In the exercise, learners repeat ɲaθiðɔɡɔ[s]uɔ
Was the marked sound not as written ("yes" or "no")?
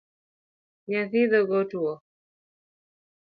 yes